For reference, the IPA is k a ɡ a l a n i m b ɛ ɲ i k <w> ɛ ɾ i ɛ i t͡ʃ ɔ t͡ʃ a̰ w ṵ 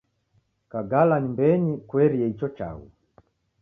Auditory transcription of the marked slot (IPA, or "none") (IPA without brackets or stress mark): w